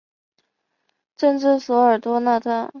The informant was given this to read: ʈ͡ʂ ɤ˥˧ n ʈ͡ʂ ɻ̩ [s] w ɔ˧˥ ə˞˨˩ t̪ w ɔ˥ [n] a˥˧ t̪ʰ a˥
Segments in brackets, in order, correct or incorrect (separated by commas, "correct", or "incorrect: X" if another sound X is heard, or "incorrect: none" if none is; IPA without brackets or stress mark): correct, correct